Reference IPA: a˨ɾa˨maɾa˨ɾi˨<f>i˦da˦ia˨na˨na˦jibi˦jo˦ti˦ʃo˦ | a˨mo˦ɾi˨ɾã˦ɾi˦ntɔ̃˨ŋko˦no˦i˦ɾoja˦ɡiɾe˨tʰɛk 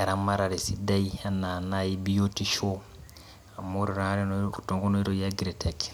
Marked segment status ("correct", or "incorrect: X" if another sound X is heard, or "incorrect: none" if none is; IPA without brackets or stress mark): incorrect: s